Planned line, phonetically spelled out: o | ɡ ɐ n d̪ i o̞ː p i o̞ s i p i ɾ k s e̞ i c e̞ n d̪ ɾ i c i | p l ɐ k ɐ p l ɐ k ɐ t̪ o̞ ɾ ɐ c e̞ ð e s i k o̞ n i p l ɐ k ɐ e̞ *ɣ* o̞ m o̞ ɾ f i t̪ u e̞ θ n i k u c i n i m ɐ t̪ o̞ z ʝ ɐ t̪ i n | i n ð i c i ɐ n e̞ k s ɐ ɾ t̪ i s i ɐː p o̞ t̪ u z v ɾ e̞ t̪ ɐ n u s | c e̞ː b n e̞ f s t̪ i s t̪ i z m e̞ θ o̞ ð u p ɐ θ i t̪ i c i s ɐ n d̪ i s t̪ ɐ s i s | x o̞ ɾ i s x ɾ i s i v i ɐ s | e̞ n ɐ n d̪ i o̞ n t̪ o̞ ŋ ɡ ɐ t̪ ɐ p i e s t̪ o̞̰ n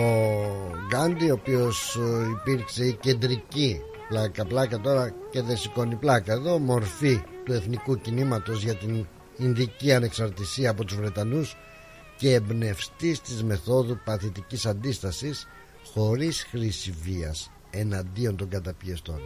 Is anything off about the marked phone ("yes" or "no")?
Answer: yes